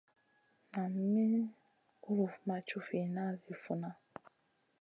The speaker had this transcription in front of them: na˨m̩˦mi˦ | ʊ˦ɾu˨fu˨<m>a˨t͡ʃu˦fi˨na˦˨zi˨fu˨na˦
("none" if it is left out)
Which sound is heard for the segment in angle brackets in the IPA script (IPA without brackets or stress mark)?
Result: m